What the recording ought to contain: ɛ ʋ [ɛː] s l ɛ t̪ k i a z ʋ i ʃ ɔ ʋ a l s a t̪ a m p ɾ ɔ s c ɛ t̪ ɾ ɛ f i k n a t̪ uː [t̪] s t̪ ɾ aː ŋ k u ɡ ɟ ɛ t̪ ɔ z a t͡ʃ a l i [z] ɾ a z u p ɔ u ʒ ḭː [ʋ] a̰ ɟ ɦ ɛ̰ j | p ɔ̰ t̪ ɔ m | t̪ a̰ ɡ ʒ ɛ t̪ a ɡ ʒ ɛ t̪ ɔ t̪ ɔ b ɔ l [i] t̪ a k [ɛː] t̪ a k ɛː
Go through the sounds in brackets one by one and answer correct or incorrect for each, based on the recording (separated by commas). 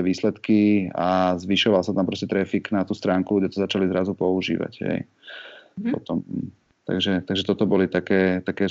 incorrect, incorrect, correct, correct, correct, correct